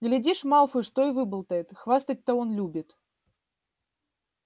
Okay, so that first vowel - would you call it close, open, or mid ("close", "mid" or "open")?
close